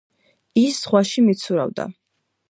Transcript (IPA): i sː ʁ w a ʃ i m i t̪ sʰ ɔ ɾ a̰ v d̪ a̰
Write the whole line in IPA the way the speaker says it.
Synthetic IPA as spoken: i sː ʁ w a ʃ i m i t̪ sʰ u ɾ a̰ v d̪ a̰